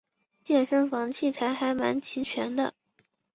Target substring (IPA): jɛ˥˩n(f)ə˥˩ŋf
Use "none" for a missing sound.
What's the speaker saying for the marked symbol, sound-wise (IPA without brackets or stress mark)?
ʂ